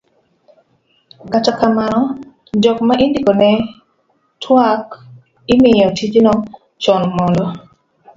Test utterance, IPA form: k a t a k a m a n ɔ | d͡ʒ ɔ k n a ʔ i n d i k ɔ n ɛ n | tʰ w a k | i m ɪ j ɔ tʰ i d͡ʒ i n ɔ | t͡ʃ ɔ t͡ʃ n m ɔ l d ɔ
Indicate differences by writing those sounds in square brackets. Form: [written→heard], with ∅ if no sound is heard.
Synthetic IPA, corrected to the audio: k a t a k a m a n ɔ | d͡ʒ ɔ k [n→m] a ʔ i n d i k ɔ n ɛ [n→∅] | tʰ w a k | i m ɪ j ɔ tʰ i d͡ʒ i n ɔ | t͡ʃ ɔ [t͡ʃ→∅] n m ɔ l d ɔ